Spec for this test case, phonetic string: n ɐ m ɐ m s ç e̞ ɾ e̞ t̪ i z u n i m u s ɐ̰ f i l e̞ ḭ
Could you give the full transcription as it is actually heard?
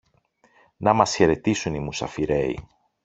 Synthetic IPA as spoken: n ɐ m ɐ s ç e̞ ɾ e̞ t̪ i s u n i m u s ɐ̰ f i ɾ e̞ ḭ